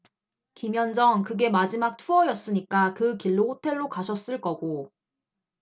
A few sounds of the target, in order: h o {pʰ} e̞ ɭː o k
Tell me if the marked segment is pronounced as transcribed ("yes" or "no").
no